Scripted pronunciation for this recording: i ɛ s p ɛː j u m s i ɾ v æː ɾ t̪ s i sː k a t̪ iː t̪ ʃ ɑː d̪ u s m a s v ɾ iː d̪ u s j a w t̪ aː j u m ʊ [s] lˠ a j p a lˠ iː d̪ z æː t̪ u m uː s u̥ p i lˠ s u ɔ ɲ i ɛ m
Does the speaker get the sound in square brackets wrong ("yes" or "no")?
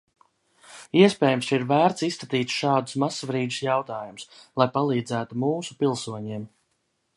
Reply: no